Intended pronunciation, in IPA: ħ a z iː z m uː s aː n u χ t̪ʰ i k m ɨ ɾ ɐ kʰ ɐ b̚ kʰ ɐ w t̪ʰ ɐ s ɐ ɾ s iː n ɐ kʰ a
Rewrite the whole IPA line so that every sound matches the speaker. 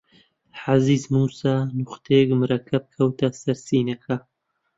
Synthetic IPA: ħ a z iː z m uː s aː n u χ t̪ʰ e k m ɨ ɾ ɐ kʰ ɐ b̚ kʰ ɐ w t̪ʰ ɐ s ɐ ɾ s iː n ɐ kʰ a